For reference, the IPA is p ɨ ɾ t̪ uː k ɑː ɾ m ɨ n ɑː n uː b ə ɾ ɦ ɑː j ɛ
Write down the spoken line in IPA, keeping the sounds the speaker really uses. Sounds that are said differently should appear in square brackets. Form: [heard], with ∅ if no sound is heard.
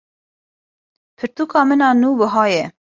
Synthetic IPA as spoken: [pʰ] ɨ ɾ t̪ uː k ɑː [∅] m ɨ n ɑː n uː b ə [∅] ɦ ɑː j ɛ